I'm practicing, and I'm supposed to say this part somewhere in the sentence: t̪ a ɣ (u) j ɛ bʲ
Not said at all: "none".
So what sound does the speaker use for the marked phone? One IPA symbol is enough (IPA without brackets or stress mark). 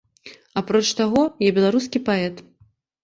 ɔ